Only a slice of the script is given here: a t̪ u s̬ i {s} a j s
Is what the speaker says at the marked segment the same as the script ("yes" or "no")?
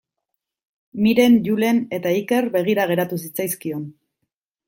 no